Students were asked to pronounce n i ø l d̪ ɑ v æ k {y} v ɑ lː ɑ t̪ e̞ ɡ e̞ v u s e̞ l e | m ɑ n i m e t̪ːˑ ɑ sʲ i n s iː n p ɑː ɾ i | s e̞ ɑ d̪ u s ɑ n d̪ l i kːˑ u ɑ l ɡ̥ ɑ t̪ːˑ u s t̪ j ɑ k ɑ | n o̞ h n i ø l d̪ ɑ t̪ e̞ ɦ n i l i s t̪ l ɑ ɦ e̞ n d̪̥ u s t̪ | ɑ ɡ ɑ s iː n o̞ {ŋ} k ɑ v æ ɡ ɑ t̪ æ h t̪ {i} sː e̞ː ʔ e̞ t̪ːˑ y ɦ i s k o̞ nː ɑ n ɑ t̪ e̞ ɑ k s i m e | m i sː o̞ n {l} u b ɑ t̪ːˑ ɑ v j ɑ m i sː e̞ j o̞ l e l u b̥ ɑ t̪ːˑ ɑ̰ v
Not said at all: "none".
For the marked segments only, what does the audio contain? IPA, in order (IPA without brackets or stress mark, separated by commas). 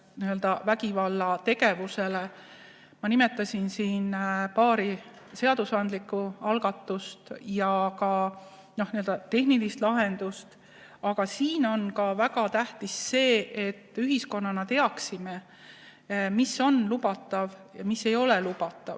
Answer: i, n, i, l